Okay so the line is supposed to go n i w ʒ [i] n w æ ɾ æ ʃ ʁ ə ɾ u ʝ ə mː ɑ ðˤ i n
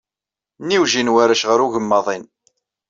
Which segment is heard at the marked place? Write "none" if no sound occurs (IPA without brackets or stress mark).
i